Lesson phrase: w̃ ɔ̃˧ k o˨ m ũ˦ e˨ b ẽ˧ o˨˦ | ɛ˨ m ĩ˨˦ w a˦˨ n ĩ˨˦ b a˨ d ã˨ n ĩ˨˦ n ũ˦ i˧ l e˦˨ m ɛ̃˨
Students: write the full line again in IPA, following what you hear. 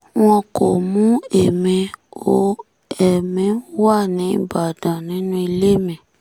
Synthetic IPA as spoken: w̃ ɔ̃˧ k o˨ m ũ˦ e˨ m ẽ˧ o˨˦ | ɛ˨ m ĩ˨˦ w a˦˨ n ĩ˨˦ b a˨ d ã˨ n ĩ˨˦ n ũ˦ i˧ l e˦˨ m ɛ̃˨